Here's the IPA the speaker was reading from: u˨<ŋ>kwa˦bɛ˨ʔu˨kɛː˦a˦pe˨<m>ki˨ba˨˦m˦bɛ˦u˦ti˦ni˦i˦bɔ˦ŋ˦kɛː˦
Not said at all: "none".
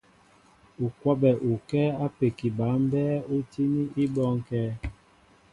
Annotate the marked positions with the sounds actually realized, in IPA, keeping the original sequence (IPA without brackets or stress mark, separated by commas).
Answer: none, none